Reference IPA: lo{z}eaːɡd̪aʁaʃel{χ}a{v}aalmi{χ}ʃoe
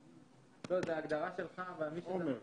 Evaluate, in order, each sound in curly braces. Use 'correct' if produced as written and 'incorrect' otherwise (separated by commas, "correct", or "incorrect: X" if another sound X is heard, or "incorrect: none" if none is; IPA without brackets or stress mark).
correct, correct, correct, incorrect: none